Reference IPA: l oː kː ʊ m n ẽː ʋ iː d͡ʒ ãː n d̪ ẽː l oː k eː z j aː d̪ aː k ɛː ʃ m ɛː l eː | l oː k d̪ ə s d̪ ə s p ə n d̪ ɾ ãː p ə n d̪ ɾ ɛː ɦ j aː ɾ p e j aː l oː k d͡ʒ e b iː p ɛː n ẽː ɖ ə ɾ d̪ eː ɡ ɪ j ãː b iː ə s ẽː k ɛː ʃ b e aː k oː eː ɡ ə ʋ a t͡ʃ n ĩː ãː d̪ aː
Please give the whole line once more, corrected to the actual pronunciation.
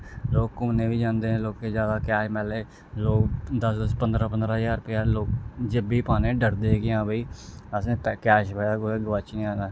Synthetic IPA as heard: l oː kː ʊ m n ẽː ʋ iː d͡ʒ ãː n d̪ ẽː l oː k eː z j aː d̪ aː k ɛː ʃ m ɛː l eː | l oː k d̪ ə s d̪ ə s p ə n d̪ ɾ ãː p ə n d̪ ɾ aː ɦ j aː ɾ p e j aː l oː k d͡ʒ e b iː p aː n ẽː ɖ ə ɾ d̪ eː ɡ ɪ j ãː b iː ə s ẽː k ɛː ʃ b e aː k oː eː ɡ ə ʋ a t͡ʃ n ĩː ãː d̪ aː